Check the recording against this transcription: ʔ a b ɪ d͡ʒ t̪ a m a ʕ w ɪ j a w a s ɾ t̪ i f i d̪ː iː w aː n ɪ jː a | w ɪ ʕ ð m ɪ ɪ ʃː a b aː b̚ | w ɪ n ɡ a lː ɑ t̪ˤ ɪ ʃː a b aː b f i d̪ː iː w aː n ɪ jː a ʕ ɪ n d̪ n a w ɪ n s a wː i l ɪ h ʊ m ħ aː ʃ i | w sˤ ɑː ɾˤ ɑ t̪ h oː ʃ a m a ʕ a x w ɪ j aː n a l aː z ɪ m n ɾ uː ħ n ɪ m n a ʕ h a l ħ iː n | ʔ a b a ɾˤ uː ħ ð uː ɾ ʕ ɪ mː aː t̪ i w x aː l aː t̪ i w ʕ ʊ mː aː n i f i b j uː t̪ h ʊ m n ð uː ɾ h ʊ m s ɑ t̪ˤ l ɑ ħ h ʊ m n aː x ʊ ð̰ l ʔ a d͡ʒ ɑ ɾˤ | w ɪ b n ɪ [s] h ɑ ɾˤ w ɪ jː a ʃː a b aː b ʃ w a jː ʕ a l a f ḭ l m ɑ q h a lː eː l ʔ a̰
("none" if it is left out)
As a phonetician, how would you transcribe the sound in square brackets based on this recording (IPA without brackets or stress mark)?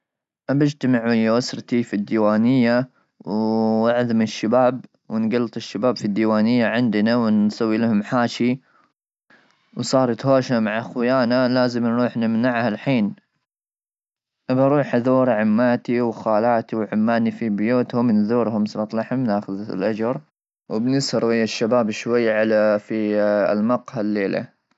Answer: s